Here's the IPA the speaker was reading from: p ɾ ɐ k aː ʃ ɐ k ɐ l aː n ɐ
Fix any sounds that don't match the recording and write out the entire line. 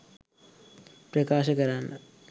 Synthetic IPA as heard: p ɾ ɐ k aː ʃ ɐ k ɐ ɾ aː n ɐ